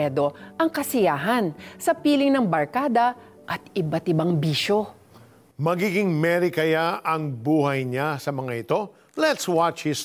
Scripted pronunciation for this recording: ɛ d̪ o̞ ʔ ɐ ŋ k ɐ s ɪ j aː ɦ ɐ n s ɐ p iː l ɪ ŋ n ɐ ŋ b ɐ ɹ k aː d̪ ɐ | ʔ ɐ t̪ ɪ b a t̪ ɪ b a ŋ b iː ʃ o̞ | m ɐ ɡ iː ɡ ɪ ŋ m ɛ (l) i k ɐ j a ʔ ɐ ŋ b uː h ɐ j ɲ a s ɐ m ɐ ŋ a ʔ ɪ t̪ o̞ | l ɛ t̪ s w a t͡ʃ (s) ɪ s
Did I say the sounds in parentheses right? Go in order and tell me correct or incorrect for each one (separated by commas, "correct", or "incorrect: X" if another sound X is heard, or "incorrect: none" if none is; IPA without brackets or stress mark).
incorrect: ɾ, incorrect: h